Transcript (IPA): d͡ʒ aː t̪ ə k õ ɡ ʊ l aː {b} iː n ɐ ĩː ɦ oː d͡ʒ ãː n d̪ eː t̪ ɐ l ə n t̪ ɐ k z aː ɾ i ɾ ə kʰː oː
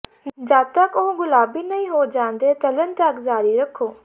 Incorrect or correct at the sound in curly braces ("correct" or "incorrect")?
correct